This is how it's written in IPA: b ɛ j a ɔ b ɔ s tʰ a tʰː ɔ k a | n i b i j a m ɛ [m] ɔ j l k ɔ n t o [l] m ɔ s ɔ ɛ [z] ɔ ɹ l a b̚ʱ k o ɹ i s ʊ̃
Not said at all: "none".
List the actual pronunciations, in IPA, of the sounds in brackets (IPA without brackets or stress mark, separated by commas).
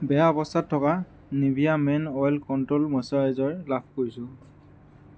n, l, z